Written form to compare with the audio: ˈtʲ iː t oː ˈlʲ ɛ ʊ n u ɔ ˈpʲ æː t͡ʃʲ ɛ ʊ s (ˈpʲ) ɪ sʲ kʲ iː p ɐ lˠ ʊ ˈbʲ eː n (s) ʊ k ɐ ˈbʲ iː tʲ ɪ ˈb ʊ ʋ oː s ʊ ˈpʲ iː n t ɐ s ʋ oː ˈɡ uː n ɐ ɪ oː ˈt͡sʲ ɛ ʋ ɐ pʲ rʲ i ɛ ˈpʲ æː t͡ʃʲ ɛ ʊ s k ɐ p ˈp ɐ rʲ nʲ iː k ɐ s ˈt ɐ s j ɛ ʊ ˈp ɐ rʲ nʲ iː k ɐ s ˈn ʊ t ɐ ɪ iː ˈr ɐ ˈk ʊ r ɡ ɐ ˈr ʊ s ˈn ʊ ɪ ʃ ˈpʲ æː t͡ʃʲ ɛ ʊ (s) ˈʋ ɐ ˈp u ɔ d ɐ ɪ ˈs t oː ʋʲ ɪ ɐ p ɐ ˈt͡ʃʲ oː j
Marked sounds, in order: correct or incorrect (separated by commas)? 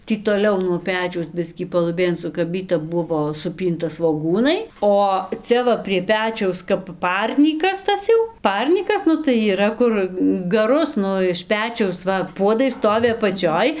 incorrect, correct, correct